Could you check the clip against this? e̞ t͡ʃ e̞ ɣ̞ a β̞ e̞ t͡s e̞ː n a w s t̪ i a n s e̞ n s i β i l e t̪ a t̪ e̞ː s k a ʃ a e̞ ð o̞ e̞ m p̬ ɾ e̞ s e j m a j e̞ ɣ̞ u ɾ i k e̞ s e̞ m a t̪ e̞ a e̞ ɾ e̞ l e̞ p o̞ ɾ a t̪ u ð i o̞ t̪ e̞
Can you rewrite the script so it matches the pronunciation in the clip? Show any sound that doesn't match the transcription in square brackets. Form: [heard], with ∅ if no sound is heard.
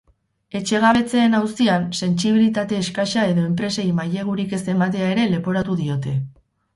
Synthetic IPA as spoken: e̞ t͡ʃ e̞ ɣ̞ a β̞ e̞ t͡s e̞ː n a w s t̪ i a n s e̞ n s i β i l [i] t̪ a t̪ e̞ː s k a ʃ a e̞ ð o̞ e̞ m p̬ ɾ e̞ s e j m a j e̞ ɣ̞ u ɾ i k e̞ s e̞ m a t̪ e̞ a e̞ ɾ e̞ l e̞ p o̞ ɾ a t̪ u ð i o̞ t̪ e̞

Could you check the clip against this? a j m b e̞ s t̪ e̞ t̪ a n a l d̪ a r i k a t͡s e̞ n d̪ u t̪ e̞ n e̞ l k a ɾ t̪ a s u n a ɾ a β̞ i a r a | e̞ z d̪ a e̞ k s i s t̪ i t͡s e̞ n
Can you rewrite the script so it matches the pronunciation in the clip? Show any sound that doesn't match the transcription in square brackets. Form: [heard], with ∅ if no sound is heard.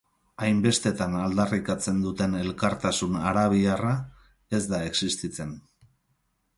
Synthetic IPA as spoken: a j m b e̞ s t̪ e̞ t̪ a n a l d̪ a r i k a t͡s e̞ n d̪ u t̪ e̞ n e̞ l k a ɾ t̪ a s u n a ɾ a β̞ i a r a | e̞ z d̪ a e̞ k s i s t̪ i t͡s e̞ n

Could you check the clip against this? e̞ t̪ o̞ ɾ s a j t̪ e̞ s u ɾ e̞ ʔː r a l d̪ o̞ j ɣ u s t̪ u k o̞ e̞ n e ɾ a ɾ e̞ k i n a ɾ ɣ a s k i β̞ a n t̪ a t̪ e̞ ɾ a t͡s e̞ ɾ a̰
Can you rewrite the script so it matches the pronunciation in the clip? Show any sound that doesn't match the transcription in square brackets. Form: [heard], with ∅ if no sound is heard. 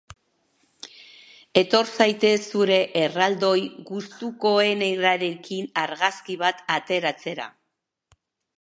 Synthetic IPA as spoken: e̞ t̪ o̞ ɾ s a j t̪ e̞ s u ɾ e̞ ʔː r a l d̪ o̞ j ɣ u s t̪ u k o̞ e̞ n e ɾ a ɾ e̞ k i n a ɾ ɣ a s k i β̞ a [∅] t̪ a t̪ e̞ ɾ a t͡s e̞ ɾ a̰

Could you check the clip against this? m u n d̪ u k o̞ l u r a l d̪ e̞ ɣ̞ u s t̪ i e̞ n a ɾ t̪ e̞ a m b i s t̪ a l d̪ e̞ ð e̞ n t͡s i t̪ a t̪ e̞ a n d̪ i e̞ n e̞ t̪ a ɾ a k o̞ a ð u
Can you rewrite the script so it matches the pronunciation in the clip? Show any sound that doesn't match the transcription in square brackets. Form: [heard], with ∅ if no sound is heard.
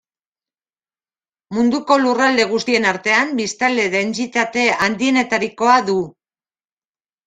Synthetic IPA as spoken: m u n d̪ u k o̞ l u r a l d̪ e̞ ɣ̞ u s t̪ i e̞ n a ɾ t̪ e̞ a m b i s t̪ a l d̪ e̞ ð e̞ n t͡s i t̪ a t̪ e̞ a n d̪ i e̞ n e̞ t̪ a ɾ [i] k o̞ a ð u

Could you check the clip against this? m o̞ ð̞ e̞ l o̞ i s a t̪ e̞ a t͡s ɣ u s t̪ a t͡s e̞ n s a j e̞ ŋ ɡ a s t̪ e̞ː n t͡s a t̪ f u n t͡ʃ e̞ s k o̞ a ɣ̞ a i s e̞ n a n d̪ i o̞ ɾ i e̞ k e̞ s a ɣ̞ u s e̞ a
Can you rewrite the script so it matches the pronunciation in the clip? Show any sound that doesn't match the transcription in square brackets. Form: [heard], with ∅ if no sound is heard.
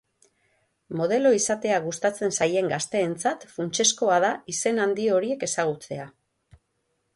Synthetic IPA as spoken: m o̞ ð̞ e̞ l o̞ i s a t̪ e̞ a [∅] ɣ u s t̪ a t͡s e̞ n s a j e̞ ŋ ɡ a s t̪ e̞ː n t͡s a t̪ f u n t͡ʃ e̞ s k o̞ a [ð̞] a i s e̞ n a n d̪ i o̞ ɾ i e̞ k e̞ s a ɣ̞ u [t͡s] e̞ a

